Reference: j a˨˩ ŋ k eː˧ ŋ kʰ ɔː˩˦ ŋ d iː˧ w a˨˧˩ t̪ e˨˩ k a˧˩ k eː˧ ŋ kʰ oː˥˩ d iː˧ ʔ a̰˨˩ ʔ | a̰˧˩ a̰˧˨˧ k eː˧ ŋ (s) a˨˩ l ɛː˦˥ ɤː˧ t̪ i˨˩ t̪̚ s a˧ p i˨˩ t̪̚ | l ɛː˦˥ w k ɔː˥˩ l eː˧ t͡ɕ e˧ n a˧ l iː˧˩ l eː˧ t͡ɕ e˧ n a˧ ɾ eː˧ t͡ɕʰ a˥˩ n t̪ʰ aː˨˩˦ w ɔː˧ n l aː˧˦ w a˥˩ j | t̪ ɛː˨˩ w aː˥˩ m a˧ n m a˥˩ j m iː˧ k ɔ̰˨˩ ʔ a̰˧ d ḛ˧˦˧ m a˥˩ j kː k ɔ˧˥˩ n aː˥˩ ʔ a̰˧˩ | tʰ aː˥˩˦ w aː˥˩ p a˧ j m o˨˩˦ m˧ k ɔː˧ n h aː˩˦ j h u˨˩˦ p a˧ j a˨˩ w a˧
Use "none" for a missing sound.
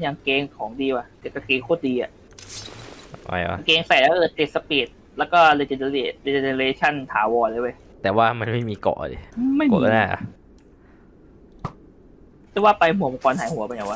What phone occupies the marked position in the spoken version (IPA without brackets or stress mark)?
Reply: s